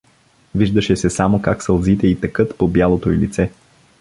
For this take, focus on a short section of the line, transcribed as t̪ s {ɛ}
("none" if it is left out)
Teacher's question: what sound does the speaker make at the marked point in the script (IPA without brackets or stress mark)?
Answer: ɛ